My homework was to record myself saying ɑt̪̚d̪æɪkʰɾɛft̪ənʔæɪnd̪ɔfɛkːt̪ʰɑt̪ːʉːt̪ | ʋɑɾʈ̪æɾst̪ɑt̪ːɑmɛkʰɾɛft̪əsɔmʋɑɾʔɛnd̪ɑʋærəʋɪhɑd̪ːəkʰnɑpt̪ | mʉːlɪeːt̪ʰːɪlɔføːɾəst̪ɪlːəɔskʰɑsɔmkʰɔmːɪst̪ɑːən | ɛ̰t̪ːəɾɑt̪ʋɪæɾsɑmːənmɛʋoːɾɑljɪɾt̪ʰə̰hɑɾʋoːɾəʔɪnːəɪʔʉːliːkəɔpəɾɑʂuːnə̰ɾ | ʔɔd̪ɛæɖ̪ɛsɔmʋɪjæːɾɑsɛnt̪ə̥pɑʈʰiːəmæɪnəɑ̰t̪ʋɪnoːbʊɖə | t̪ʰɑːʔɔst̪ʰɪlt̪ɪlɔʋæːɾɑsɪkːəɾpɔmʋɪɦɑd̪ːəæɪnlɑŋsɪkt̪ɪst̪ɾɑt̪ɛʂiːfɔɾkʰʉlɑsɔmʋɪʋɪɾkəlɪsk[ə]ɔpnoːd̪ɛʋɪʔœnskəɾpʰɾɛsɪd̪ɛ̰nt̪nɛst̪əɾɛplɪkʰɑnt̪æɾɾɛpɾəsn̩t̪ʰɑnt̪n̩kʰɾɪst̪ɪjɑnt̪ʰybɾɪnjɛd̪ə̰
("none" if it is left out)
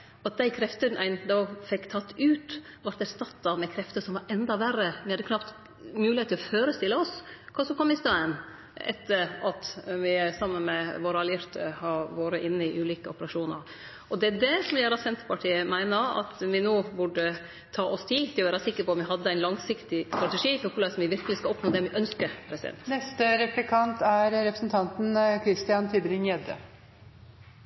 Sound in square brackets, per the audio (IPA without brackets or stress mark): ɑ